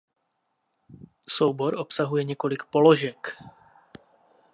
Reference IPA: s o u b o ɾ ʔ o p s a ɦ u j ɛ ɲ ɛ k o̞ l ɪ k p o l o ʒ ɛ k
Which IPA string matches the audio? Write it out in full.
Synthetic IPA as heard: s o w b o ɾ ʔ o p s a ɦ u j ɛ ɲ ɛ k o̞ l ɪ k p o l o ʒ ɛ k